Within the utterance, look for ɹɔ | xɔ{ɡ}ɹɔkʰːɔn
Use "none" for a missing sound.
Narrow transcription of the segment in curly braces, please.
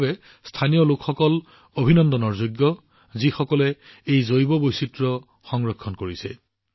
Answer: ŋ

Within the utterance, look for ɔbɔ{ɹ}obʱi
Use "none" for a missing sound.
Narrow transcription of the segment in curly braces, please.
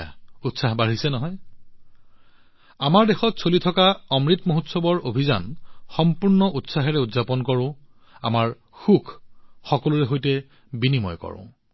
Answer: ɹ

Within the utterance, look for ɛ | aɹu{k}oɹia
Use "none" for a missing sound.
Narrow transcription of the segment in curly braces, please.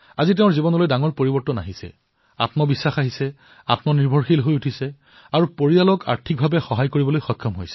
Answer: p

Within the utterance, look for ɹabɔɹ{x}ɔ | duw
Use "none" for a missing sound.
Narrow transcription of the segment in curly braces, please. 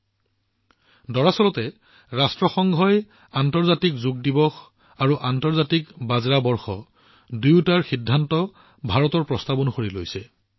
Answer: x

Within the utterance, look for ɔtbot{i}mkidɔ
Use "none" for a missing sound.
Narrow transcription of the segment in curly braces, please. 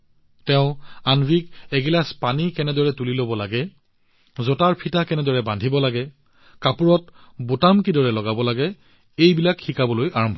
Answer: a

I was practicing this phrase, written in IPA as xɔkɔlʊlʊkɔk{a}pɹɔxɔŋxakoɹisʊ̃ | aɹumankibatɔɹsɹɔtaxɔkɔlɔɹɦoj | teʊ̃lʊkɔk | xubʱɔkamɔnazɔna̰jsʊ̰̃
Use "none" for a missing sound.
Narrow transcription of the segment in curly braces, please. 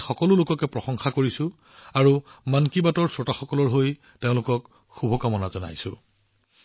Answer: ɛ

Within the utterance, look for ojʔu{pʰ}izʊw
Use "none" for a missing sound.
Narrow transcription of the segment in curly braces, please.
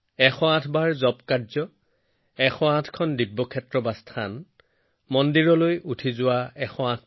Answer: tʰ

